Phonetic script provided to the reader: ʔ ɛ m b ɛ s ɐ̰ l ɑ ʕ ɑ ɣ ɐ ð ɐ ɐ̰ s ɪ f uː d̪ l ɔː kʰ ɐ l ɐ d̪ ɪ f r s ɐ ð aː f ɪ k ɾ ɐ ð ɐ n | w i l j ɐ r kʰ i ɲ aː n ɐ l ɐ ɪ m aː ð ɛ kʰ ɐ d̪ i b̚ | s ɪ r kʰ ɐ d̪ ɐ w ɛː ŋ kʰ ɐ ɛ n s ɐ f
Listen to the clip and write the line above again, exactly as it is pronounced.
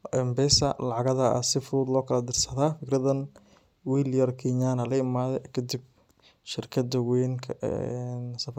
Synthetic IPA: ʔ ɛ m b ɛ s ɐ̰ l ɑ ʕ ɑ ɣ ɐ ð ɐ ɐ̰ s ɪ f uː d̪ l ɔː kʰ ɐ l ɐ d̪ ɪ r s ɐ ð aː f ɪ k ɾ ɐ ð ɐ n | w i l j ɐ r kʰ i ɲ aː n ɐ l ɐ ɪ m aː ð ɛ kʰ ɐ d̪ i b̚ | ʃ ɪ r kʰ ɐ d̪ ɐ w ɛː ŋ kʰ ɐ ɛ n s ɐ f